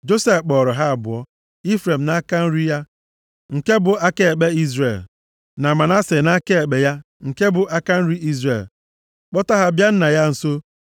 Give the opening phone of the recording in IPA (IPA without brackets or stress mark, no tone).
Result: d͡ʒ